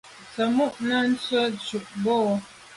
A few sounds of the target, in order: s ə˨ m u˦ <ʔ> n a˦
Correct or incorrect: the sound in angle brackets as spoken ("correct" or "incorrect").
correct